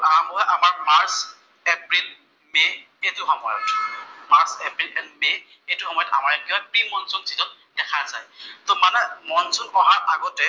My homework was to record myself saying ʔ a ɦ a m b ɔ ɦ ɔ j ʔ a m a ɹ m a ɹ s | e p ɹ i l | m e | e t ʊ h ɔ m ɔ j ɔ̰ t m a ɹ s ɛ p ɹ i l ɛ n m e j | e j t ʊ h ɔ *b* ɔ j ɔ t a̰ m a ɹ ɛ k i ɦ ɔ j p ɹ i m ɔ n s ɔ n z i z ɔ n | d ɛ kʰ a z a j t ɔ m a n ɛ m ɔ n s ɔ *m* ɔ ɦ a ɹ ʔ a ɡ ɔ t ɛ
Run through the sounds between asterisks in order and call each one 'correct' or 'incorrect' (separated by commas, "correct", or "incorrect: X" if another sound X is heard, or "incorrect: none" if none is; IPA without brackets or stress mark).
incorrect: m, incorrect: n